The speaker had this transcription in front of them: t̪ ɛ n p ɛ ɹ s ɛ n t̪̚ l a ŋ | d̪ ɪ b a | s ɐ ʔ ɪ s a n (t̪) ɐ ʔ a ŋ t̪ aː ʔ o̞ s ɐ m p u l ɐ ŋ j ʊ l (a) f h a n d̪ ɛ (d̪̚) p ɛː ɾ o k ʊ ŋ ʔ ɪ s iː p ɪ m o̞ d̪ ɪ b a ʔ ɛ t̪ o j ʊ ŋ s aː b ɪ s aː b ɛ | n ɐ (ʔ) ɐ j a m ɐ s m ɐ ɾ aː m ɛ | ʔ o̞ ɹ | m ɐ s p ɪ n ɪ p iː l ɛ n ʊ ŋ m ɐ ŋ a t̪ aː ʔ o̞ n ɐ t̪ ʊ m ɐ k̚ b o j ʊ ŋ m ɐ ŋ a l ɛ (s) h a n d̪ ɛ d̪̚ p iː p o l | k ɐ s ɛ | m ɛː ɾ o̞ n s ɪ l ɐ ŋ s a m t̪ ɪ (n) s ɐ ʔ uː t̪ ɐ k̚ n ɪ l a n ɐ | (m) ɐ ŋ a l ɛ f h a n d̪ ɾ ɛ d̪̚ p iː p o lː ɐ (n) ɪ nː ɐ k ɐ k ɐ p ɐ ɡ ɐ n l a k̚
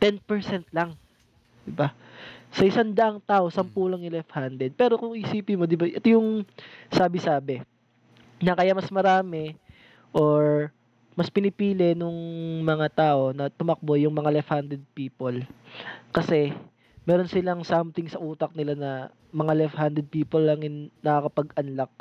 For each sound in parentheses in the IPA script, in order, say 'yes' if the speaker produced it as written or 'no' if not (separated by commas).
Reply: no, no, yes, no, no, no, yes, no